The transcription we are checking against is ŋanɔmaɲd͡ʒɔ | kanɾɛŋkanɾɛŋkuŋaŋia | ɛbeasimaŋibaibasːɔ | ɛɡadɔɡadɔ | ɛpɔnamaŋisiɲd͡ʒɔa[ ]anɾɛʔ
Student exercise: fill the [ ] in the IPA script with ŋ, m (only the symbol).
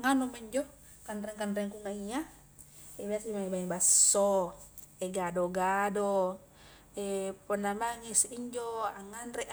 ŋ